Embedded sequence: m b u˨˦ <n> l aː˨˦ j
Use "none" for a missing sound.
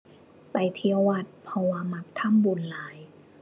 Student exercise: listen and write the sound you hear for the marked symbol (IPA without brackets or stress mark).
n